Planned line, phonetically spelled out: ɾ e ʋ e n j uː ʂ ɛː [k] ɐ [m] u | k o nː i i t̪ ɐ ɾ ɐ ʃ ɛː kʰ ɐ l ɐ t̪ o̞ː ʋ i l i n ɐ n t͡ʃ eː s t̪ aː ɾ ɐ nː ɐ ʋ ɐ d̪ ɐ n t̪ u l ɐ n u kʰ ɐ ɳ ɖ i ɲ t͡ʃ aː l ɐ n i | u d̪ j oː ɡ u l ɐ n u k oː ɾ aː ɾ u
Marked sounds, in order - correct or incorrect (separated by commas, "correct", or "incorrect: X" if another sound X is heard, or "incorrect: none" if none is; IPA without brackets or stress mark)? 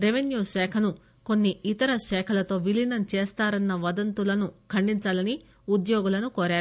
incorrect: kʰ, incorrect: n